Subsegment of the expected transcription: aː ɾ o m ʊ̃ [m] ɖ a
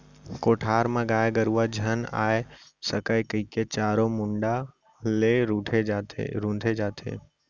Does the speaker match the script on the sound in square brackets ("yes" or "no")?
no